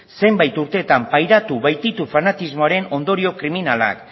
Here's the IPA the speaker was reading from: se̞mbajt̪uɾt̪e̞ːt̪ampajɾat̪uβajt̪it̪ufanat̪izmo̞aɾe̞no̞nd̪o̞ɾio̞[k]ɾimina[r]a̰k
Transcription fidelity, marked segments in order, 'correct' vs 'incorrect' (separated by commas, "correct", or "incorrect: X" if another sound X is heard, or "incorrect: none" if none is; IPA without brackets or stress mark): correct, incorrect: l